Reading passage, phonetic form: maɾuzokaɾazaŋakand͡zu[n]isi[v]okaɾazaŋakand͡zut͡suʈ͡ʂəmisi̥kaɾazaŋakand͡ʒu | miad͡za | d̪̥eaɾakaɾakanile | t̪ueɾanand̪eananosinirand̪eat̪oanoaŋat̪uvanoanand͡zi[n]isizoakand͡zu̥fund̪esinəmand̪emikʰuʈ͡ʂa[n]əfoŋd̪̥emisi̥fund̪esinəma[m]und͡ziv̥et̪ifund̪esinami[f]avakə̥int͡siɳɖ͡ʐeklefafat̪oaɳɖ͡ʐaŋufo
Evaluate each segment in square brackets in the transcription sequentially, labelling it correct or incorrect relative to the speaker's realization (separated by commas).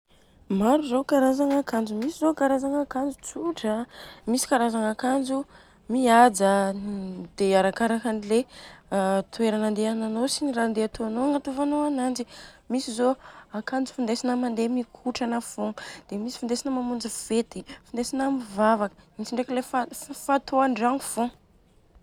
incorrect, incorrect, incorrect, correct, correct, incorrect